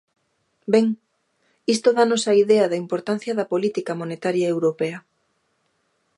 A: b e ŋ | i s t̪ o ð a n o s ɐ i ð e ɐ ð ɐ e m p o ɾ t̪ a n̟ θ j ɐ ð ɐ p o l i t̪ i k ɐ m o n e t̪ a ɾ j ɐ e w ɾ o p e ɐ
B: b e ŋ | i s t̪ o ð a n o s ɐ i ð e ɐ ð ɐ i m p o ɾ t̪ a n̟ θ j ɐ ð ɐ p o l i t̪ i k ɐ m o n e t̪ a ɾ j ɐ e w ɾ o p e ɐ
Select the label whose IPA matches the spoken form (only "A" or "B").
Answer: B